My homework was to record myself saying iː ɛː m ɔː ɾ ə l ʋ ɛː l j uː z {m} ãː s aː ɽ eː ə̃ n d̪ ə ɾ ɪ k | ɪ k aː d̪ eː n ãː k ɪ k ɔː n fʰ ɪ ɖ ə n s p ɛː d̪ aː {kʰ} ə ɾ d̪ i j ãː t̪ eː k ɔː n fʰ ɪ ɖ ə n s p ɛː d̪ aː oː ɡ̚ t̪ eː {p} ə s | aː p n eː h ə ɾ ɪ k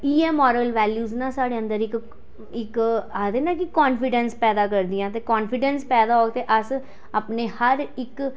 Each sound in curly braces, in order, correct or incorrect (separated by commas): incorrect, incorrect, incorrect